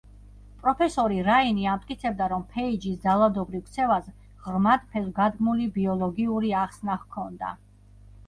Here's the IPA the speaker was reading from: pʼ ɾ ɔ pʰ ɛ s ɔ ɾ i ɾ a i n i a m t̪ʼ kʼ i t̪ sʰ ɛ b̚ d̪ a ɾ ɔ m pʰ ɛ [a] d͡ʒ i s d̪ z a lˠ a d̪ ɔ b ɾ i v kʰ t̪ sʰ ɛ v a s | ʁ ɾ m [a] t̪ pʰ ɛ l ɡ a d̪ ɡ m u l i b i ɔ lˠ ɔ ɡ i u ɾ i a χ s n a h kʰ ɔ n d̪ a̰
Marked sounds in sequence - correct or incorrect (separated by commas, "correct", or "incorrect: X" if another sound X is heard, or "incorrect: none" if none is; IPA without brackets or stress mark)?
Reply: incorrect: i, correct